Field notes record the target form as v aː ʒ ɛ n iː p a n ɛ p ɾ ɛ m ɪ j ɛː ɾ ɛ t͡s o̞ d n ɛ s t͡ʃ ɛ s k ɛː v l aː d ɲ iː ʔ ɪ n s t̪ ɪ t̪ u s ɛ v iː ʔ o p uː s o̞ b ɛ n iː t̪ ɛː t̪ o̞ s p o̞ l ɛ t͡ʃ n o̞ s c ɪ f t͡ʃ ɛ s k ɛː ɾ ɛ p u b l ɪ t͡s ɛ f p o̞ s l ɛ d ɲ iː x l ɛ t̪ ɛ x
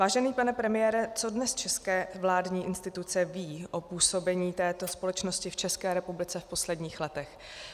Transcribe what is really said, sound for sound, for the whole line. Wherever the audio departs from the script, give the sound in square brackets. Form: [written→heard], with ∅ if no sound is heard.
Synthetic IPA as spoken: v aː ʒ ɛ n iː p a n ɛ p ɾ ɛ m ɪ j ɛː ɾ ɛ t͡s o̞ d n ɛ s t͡ʃ ɛ s k ɛː v l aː d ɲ iː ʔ ɪ n s t̪ ɪ t̪ u [s→t͡s] ɛ v iː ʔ o p uː s o̞ b ɛ [n→ɲ] iː t̪ ɛː t̪ o̞ s p o̞ l ɛ t͡ʃ n o̞ s c ɪ f t͡ʃ ɛ s k ɛː ɾ ɛ p u b l ɪ t͡s ɛ f p o̞ s l ɛ d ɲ iː x l ɛ t̪ ɛ x

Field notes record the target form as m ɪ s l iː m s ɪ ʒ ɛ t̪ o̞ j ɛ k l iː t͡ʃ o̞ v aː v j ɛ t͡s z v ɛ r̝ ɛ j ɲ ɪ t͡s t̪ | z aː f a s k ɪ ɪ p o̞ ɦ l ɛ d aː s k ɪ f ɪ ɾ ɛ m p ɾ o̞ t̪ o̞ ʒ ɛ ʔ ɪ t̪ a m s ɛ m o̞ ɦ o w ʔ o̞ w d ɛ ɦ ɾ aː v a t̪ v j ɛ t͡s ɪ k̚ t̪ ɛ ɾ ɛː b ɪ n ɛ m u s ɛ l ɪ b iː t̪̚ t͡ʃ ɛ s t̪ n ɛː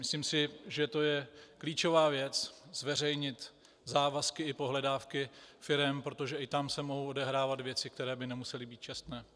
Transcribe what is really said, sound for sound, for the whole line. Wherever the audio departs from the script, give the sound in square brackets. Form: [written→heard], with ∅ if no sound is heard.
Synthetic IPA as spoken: m ɪ s l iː m s ɪ ʒ ɛ t̪ o̞ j ɛ k l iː t͡ʃ o̞ v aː v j ɛ t͡s z v ɛ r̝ ɛ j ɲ ɪ [t͡s→∅] t̪ | z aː [f→v] a s k ɪ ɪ p o̞ ɦ l ɛ d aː [s→f] k ɪ f ɪ ɾ ɛ m p ɾ o̞ t̪ o̞ ʒ ɛ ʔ ɪ t̪ a m s ɛ m o̞ ɦ o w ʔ o̞ [w→∅] d ɛ ɦ ɾ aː v a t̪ v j ɛ t͡s ɪ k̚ t̪ ɛ ɾ ɛː b ɪ n ɛ m u s ɛ l ɪ b iː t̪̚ t͡ʃ ɛ s t̪ n ɛː

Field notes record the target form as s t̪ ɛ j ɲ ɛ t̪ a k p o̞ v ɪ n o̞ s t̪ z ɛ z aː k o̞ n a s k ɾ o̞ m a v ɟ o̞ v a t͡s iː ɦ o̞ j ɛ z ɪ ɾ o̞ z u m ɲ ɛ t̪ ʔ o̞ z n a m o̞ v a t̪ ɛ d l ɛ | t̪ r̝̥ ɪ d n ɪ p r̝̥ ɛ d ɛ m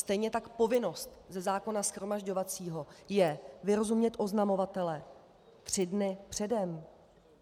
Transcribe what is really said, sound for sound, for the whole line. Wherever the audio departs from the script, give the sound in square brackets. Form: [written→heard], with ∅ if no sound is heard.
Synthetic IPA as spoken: s t̪ ɛ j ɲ ɛ t̪ a k p o̞ v ɪ n o̞ s t̪ z ɛ z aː k o̞ n a s [k→x] ɾ o̞ m a [v→ʒ] ɟ o̞ v a t͡s iː ɦ o̞ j ɛ [z→v] ɪ ɾ o̞ z u m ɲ ɛ t̪ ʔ o̞ z n a m o̞ v a t̪ ɛ [d→∅] l ɛ | t̪ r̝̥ ɪ d n ɪ p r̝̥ ɛ d ɛ m

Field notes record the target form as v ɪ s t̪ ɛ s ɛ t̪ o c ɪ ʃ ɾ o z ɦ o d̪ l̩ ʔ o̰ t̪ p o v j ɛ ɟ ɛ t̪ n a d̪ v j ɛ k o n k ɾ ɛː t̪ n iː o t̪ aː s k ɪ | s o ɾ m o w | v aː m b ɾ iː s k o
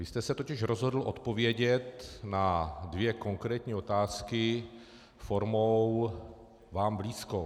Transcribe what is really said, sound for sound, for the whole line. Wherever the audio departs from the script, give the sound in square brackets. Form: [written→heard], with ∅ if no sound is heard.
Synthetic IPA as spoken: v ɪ s t̪ ɛ s ɛ t̪ o c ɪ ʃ ɾ o z ɦ o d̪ l̩ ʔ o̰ t̪ p o v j ɛ ɟ ɛ t̪ n a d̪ v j ɛ k o [n→ŋ] k ɾ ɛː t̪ [n→ɲ] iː o t̪ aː s k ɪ | [s→f] o ɾ m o w | v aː m b [ɾ→l] iː s k o

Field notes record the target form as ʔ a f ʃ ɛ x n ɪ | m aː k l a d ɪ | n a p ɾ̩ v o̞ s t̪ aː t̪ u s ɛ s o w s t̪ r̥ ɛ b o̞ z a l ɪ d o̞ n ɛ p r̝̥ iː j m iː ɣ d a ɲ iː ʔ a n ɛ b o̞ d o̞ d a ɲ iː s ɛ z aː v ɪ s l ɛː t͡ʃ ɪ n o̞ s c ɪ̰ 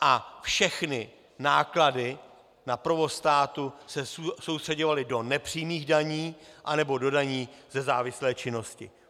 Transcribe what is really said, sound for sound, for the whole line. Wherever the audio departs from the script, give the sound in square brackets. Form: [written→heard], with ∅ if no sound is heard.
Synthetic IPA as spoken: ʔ a f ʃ ɛ x n ɪ | [m→n] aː k l a d ɪ | n a p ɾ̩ v o̞ s t̪ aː t̪ u s ɛ s o w s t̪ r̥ ɛ [b→ɟ] o̞ [z→v] a l ɪ d o̞ n ɛ p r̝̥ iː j m iː ɣ d a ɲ iː ʔ a n ɛ b o̞ d o̞ d a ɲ iː [s→z] ɛ z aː v ɪ s l ɛː t͡ʃ ɪ n o̞ s c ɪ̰

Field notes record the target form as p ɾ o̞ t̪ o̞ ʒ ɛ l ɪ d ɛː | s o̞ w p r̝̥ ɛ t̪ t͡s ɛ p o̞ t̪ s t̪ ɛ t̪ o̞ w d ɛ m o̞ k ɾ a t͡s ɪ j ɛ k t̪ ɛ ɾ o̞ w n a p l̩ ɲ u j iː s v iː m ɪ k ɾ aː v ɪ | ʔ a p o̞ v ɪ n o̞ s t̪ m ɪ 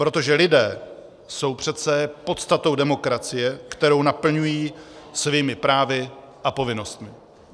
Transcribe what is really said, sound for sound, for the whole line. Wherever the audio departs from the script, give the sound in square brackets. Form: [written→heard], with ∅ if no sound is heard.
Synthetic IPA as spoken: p ɾ o̞ t̪ o̞ ʒ ɛ l ɪ d ɛː | s o̞ w p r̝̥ ɛ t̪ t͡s ɛ p o̞ t̪ s t̪ [ɛ→a] t̪ o̞ w d ɛ m o̞ k ɾ a t͡s ɪ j ɛ k t̪ ɛ ɾ o̞ w n a p l̩ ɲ u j iː s v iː m ɪ [k→p] ɾ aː v ɪ | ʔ a p o̞ v ɪ n o̞ s t̪ m ɪ

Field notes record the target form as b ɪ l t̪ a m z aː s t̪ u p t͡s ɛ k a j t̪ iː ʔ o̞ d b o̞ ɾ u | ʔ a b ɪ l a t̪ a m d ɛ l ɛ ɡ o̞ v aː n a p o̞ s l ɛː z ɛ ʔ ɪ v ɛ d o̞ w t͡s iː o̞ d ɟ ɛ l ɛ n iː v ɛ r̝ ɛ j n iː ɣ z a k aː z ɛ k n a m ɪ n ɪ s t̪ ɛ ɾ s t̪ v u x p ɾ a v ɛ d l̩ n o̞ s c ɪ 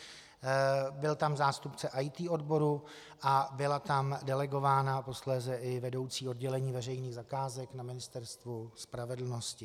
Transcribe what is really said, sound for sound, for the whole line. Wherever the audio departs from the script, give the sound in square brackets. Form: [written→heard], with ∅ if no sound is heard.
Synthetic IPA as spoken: b ɪ l t̪ a m z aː s t̪ u p t͡s ɛ [k→ʔ] a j t̪ iː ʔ o̞ d b o̞ ɾ u | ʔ a b ɪ l a t̪ a m d ɛ l ɛ ɡ o̞ v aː n a p o̞ s l ɛː z ɛ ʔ ɪ v ɛ d o̞ w t͡s iː o̞ d ɟ ɛ l ɛ [n→ɲ] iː v ɛ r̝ ɛ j n iː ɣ z a k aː z ɛ k n a m ɪ n ɪ s t̪ ɛ ɾ s t̪ v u [x→s] p ɾ a v ɛ d l̩ n o̞ s c ɪ

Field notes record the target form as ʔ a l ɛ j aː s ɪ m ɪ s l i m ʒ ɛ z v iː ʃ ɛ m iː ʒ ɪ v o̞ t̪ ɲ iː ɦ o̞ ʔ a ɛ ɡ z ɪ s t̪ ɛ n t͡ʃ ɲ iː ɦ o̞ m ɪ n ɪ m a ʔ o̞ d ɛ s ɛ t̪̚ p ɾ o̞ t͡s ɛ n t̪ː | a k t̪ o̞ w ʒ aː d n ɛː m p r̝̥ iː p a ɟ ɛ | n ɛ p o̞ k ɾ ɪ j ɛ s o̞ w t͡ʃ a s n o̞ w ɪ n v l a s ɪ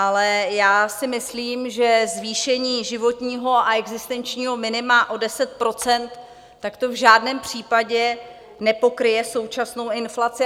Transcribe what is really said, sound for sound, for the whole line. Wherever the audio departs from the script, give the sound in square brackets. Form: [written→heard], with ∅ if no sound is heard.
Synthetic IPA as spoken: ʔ a l ɛ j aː s ɪ m ɪ s l [i→iː] m ʒ ɛ z v iː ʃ ɛ [m→ɲ] iː ʒ ɪ v o̞ t̪ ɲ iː ɦ o̞ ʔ a ɛ ɡ z ɪ s t̪ ɛ n t͡ʃ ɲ iː ɦ o̞ m ɪ n ɪ m a ʔ o̞ d ɛ s ɛ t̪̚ p ɾ o̞ t͡s ɛ n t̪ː | a k t̪ o̞ [w→v] ʒ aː d n ɛː m p r̝̥ iː p a ɟ ɛ | n ɛ p o̞ k ɾ ɪ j ɛ s o̞ w t͡ʃ a s n o̞ w ɪ n [v→f] l a [s→t͡s] ɪ

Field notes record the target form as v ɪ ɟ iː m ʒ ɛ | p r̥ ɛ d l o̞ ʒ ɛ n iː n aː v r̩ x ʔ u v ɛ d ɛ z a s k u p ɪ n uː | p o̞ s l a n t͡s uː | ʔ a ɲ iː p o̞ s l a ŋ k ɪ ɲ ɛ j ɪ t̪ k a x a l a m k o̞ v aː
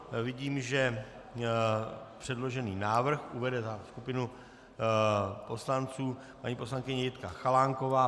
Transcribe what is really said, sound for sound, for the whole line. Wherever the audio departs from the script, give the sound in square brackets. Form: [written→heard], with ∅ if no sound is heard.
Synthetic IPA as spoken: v ɪ ɟ iː m ʒ ɛ | p r̥ ɛ d l o̞ ʒ ɛ n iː n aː v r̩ x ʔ u v ɛ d ɛ z a s k u p ɪ n [uː→u] | p o̞ s l a n t͡s uː | [ʔ→p] a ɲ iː p o̞ s l a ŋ k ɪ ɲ ɛ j ɪ t̪ k a x a l a [m→ŋ] k o̞ v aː

